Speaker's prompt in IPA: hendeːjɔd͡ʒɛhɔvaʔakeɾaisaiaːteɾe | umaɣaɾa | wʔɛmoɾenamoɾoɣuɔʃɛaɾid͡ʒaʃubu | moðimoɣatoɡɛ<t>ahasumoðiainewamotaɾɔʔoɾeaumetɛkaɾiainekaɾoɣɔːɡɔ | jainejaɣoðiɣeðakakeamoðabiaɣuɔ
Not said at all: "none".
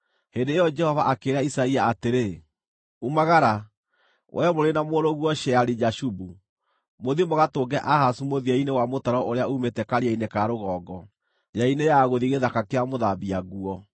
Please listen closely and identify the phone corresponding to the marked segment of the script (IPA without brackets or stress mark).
ʔ